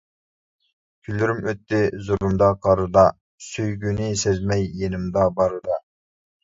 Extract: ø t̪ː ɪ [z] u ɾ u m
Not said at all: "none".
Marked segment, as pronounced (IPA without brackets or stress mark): z